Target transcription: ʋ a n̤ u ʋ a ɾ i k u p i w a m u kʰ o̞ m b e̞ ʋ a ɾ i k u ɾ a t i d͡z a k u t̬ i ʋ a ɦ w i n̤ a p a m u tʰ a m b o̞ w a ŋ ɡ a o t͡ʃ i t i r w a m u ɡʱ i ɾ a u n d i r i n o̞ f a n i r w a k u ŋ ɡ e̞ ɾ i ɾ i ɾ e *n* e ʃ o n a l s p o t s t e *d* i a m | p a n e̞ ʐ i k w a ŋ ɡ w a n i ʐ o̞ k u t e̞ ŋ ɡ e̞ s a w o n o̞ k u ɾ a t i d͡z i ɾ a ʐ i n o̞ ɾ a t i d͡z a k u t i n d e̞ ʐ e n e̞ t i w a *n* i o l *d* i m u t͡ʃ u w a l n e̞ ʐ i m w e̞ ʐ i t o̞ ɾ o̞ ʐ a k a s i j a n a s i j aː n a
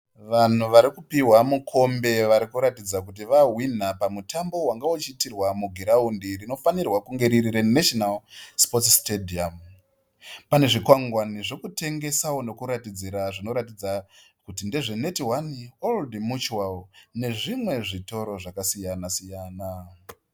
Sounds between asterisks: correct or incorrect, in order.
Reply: correct, correct, correct, correct

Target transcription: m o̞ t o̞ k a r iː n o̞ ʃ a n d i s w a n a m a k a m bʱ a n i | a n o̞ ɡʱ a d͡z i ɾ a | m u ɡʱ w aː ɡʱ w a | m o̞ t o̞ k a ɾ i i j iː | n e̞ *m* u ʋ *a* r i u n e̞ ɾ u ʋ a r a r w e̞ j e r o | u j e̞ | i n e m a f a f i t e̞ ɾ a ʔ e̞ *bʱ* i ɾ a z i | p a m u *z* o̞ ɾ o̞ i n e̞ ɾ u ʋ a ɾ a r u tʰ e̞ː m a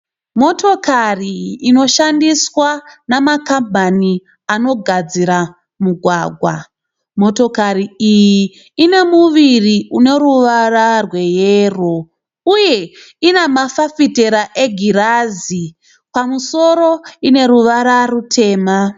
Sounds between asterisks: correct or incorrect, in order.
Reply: correct, incorrect: i, incorrect: ɡʱ, incorrect: s

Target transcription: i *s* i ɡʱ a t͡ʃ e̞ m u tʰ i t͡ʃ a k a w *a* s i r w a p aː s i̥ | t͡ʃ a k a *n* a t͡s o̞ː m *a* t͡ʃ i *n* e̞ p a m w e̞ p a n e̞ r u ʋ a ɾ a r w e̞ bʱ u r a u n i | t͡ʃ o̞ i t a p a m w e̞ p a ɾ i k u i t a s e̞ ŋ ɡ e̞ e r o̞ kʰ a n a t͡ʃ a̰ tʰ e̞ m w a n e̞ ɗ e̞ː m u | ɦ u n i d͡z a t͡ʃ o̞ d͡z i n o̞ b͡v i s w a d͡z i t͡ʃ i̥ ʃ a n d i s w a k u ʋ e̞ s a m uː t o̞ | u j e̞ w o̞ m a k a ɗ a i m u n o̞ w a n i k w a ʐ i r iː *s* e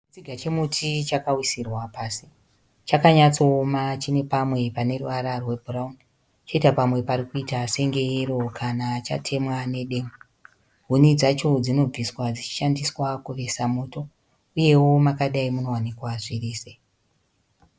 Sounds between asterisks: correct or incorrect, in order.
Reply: incorrect: t͡s, incorrect: i, incorrect: ɲ, correct, correct, correct

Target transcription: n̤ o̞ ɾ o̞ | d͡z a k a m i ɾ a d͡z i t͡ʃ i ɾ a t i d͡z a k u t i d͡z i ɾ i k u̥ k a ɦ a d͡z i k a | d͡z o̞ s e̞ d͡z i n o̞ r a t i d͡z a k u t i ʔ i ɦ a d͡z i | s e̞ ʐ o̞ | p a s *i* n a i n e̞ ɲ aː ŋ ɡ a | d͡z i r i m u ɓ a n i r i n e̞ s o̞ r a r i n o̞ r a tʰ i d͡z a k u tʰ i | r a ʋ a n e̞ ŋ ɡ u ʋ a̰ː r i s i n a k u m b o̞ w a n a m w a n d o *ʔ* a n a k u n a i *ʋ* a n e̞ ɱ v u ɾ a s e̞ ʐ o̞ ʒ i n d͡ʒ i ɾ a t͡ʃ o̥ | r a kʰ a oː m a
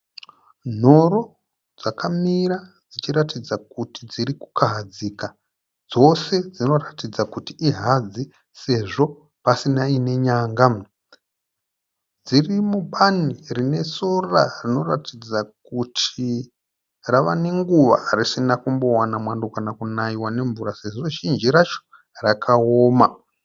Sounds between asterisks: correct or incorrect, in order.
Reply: correct, incorrect: k, incorrect: w

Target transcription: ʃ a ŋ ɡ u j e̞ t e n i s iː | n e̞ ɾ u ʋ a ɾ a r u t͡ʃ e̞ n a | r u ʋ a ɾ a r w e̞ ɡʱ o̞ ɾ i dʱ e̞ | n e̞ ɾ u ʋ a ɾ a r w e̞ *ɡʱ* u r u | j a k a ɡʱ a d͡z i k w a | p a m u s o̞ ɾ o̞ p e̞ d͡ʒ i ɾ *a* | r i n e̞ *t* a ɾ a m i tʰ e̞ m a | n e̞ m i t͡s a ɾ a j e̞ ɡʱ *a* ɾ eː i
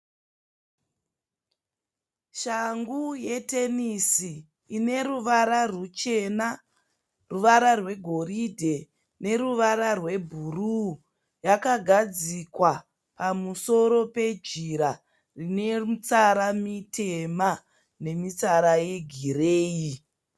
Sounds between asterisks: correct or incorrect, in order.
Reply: incorrect: bʱ, correct, incorrect: t͡s, incorrect: i

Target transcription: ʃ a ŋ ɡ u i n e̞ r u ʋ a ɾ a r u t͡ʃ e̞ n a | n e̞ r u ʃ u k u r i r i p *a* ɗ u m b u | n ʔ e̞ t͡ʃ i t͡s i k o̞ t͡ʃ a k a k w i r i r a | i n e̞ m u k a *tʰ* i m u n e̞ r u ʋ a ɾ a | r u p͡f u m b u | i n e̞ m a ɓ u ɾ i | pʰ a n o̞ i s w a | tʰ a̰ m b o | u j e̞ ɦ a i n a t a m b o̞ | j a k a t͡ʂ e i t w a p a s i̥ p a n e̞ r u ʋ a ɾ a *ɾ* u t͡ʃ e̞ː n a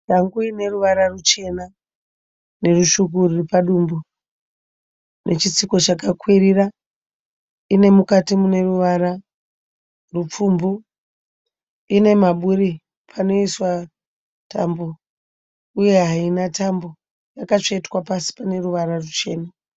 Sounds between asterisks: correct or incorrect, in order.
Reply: correct, incorrect: t, incorrect: r

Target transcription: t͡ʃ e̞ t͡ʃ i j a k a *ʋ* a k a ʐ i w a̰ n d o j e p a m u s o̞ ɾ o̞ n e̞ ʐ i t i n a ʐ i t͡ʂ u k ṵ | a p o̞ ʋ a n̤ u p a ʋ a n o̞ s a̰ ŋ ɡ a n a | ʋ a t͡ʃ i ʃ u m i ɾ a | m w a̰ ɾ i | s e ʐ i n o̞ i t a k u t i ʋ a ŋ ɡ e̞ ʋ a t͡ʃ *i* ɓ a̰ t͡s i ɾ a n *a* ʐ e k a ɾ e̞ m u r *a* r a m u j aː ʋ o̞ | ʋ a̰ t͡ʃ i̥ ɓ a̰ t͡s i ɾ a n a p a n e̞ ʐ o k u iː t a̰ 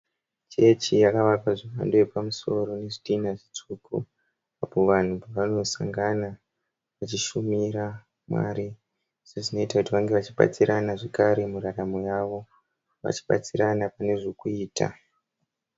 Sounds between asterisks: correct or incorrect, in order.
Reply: correct, correct, correct, correct

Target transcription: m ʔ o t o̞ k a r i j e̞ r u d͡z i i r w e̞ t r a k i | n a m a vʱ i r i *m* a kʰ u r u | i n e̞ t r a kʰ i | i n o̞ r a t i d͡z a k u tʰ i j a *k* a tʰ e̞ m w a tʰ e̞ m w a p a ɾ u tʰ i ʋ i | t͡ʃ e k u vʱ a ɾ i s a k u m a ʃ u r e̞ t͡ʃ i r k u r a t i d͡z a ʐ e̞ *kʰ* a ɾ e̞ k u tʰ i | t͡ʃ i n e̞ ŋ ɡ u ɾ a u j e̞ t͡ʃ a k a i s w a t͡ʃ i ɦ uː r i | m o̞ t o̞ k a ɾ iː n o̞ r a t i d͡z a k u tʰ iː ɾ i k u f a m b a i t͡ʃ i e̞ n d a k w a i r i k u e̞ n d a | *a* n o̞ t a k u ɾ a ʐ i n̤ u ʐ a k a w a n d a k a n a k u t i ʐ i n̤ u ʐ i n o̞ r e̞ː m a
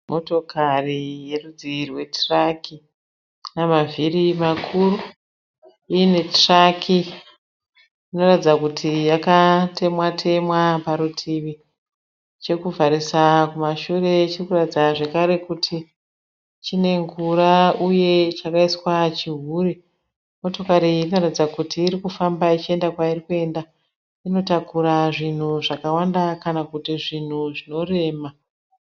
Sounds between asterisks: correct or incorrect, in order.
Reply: correct, correct, incorrect: k, incorrect: i

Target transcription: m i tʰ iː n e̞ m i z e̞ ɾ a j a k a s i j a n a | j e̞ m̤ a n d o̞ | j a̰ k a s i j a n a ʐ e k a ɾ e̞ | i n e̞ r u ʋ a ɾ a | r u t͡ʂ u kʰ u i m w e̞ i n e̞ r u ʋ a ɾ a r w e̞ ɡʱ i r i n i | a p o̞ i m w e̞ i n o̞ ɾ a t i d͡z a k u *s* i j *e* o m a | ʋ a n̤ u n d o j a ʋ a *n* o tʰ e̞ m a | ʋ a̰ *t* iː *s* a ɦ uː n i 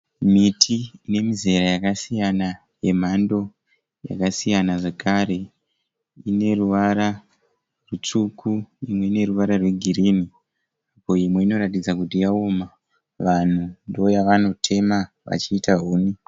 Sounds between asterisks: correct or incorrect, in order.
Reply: incorrect: t, incorrect: a, correct, incorrect: t͡ʃ, incorrect: t

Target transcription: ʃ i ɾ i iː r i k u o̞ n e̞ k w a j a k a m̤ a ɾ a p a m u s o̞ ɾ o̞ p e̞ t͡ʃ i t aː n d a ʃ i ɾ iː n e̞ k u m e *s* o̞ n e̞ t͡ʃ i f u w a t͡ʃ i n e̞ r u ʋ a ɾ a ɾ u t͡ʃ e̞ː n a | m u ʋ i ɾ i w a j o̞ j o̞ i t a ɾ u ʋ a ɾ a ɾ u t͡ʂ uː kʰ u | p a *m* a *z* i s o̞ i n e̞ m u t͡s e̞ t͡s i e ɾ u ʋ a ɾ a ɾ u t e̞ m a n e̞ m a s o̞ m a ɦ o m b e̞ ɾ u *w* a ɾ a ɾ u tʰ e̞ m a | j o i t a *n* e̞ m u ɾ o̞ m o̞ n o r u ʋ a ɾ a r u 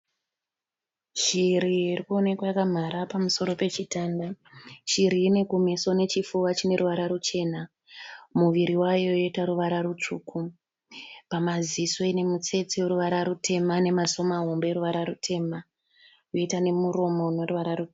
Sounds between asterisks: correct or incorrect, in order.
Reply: correct, correct, correct, incorrect: ʋ, correct

